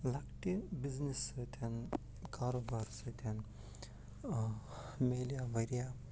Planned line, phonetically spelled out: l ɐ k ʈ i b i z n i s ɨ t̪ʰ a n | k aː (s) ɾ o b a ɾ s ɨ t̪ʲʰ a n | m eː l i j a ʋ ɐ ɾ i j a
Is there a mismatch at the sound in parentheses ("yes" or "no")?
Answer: yes